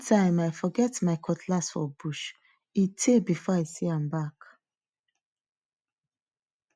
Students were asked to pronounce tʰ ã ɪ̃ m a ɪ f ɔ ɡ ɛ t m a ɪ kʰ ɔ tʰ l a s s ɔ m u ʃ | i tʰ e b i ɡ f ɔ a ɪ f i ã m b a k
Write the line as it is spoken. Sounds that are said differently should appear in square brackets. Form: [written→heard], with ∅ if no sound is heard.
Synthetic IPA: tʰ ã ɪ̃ m a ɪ f ɔ ɡ ɛ t m a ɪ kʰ ɔ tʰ l a s [s→f] ɔ [m→b] u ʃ | i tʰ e b i [ɡ→∅] f ɔ a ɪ [f→s] i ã m b a k